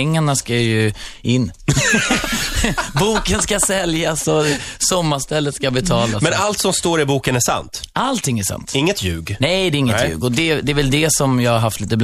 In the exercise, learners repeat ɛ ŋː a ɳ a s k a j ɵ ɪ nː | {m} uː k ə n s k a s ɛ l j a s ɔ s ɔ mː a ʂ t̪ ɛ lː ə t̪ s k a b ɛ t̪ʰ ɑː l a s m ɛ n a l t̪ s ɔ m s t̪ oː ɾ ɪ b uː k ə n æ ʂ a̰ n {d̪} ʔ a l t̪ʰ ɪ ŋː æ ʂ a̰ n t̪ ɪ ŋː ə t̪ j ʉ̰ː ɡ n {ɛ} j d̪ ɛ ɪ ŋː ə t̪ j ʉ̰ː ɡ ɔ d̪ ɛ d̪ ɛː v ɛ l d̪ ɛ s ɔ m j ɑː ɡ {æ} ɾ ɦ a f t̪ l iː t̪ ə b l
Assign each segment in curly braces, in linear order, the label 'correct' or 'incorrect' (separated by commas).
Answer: incorrect, incorrect, correct, incorrect